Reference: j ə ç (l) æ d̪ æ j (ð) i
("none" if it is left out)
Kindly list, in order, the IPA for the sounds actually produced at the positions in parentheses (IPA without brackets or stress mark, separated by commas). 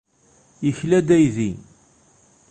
l, ð